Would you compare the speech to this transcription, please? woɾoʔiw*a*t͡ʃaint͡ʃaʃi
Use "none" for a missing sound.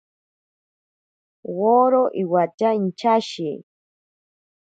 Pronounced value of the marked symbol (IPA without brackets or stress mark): a